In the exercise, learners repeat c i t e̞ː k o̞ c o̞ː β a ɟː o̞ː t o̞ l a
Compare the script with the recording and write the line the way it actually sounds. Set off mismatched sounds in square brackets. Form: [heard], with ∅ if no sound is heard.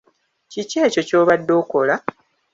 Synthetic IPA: c i [c] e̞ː [c] o̞ c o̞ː β a [dː] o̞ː [k] o̞ l a